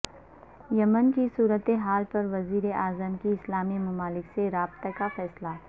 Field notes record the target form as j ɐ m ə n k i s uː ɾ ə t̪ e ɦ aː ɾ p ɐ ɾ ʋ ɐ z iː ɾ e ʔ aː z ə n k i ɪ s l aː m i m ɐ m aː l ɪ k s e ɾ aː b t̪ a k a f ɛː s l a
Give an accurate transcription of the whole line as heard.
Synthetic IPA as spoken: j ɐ m ə n k i s uː ɾ ə t̪ e ɦ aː l p ɐ ɾ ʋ ɐ z iː ɾ e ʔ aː z ə m k i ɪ s l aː m i m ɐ m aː l ɪ k s e ɾ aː b t̪ a k a f ɛː s l a